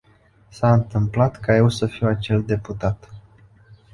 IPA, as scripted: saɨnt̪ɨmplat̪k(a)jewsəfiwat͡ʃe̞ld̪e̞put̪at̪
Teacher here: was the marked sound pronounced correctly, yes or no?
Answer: yes